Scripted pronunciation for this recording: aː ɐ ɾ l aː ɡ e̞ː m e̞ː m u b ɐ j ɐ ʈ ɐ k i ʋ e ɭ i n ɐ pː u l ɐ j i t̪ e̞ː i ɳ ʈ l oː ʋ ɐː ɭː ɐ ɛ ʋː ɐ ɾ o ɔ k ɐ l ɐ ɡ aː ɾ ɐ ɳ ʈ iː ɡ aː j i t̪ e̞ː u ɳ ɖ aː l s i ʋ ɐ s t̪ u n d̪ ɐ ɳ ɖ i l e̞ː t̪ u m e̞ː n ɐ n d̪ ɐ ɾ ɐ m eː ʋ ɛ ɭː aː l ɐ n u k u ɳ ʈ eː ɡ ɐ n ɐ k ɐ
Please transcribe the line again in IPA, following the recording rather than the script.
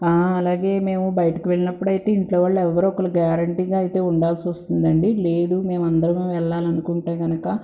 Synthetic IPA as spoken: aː ɐ l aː ɡ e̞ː m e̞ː m u b ɐ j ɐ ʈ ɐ k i ʋ e ɭ i n ɐ pː u ɽ ɐ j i t̪ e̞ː i ɳ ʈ l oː ʋ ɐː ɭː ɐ ɛ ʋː ɐ ɾ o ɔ k ɐ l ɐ ɡ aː ɾ ɐ ɳ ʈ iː ɡ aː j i t̪ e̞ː u ɳ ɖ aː l s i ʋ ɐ s t̪ u n d̪ ɐ ɳ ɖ i l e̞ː d̪ u m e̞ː m ɐ n d̪ ɐ ɾ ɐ m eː ʋ ɛ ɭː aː l ɐ n u k u ɳ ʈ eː ɡ ɐ n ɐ k ɐ